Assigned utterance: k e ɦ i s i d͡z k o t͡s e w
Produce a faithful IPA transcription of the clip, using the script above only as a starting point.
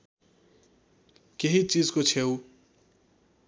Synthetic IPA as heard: k e ɦ i t͡s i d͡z k o t͡sʰ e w